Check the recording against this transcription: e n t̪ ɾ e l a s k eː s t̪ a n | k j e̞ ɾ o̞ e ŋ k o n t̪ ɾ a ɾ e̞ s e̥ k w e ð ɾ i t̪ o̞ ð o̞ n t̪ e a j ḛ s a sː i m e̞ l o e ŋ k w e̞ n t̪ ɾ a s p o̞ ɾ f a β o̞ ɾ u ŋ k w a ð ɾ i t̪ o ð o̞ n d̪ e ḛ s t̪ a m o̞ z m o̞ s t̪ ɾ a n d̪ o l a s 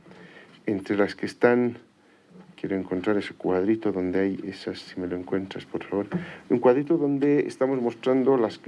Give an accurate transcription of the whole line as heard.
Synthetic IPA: e n t̪ ɾ e l a s k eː s t̪ a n | k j e̞ ɾ o̞ e ŋ k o n t̪ ɾ a ɾ e̞ s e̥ k w a ð ɾ i t̪ o̞ ð o̞ n d̪ e a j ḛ s a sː i m e̞ l o e ŋ k w e̞ n t̪ ɾ a s p o̞ ɾ f a β o̞ ɾ u ŋ k w a ð ɾ i t̪ o ð o̞ n d̪ e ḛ s t̪ a m o̞ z m o̞ s t̪ ɾ a n d̪ o l a s